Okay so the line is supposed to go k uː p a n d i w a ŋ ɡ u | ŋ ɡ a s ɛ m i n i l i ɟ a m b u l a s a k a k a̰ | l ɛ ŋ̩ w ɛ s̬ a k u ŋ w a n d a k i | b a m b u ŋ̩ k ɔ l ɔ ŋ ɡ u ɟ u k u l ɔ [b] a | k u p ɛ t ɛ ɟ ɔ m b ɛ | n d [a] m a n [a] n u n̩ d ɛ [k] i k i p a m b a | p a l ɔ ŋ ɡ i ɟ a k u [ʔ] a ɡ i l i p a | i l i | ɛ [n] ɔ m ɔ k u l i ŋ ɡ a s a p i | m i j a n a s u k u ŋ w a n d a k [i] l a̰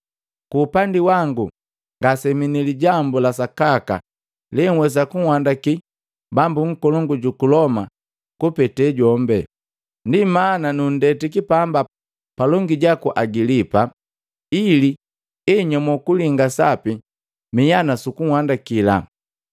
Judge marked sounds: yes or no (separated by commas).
no, no, yes, no, yes, no, yes